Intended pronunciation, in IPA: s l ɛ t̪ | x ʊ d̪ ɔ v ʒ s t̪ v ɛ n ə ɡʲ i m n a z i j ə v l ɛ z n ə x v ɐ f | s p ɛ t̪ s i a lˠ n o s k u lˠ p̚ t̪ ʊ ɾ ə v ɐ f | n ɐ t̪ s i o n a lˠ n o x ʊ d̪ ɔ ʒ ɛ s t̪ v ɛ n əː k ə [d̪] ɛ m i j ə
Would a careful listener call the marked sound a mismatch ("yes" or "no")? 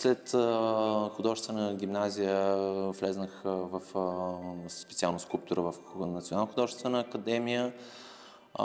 no